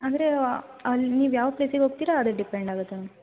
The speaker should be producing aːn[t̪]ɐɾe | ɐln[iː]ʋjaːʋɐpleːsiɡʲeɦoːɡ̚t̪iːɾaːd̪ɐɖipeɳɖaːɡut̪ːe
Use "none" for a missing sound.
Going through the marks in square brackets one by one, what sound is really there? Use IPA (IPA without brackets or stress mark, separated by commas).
d̪, iː